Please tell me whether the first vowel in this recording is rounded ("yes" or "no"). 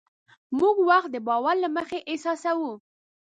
yes